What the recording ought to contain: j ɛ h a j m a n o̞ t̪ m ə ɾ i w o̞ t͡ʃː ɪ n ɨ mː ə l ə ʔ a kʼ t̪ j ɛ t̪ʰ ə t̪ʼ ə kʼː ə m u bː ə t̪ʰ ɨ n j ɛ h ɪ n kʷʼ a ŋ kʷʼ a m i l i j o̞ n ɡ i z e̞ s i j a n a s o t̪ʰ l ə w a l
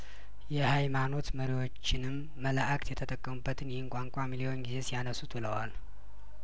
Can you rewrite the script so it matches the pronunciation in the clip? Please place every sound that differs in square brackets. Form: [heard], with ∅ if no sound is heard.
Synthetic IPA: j ɛ h a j m a n o̞ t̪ m ə ɾ i w o̞ t͡ʃː ɪ n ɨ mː ə l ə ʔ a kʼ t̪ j ɛ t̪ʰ ə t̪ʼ ə kʼː ə m u bː ə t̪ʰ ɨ n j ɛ h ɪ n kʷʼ a ŋ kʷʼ a m i l i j o̞ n ɡ i z e̞ s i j a n [ə] s [u] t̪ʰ l ə w a l